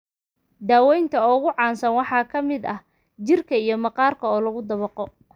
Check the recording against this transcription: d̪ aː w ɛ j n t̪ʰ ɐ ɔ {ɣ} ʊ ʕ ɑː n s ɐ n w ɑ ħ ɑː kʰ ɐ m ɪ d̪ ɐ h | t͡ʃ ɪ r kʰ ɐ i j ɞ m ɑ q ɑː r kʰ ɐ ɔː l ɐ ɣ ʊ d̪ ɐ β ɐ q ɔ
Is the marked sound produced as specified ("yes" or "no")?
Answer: yes